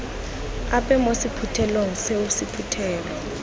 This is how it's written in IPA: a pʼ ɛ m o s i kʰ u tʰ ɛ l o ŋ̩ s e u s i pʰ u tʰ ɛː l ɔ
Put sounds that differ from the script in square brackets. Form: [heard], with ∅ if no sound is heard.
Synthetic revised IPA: a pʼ ɛ m o s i [pʰ] u tʰ ɛ l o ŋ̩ s e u s i pʰ u tʰ ɛː l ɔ